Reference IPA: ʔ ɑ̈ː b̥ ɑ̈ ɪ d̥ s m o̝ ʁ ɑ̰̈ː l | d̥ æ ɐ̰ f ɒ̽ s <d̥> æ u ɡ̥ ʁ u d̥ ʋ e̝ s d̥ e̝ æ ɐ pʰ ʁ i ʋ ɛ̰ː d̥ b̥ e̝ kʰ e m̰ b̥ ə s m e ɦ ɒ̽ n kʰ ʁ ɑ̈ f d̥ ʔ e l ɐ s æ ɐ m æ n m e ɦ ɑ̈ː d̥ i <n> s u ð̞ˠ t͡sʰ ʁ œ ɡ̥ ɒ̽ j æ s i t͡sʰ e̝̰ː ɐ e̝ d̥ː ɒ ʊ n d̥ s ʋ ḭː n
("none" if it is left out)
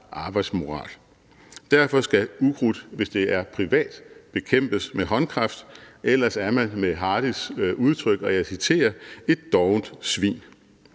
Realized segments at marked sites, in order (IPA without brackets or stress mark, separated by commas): ɡ̥, none